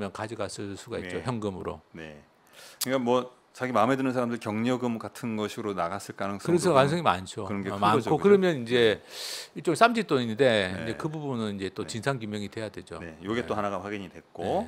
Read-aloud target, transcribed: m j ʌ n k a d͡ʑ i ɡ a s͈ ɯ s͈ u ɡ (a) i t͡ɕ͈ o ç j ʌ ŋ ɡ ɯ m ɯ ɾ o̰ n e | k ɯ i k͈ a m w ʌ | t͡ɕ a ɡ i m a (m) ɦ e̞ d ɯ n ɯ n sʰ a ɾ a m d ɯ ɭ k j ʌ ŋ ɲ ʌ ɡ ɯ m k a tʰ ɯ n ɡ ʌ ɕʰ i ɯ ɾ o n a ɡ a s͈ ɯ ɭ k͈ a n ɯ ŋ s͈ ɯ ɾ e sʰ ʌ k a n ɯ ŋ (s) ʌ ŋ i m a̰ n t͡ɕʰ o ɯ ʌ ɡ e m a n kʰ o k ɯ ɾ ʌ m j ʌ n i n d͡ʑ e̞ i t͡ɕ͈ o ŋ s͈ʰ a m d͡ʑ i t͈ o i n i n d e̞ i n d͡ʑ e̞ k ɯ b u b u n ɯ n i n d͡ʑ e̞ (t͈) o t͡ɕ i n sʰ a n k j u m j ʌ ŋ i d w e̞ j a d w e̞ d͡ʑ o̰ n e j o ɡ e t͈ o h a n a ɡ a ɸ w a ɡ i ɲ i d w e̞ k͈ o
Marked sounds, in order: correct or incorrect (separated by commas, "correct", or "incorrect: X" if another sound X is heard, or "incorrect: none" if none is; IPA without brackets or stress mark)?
correct, correct, correct, correct